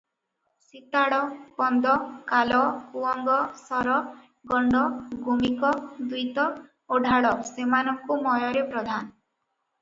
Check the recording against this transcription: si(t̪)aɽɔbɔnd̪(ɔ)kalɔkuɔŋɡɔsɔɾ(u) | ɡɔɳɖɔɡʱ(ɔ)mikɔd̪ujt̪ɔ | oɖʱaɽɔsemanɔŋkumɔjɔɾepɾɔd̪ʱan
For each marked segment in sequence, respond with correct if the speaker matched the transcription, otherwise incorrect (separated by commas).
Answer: correct, correct, incorrect, incorrect